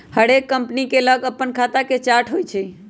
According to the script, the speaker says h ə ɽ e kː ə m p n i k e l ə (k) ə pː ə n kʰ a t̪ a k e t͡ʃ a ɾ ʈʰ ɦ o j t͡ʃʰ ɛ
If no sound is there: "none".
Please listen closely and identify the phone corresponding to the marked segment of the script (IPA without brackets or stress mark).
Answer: ɡ